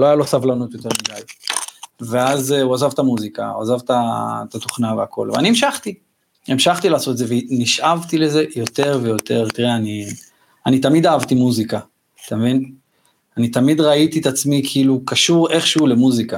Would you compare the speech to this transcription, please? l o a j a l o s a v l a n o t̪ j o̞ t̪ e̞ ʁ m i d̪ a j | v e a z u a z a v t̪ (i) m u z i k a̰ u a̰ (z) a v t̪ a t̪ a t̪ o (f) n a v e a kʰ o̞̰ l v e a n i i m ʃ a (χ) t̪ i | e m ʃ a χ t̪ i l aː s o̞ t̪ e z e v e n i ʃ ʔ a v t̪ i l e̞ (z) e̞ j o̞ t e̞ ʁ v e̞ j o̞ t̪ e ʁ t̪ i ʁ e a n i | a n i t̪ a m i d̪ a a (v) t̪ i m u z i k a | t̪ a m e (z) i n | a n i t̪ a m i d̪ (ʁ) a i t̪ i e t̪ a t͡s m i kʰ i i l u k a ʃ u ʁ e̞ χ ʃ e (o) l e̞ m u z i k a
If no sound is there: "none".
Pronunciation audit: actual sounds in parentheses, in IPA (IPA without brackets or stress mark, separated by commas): a, z, χ, χ, z, v, v, ʁ, u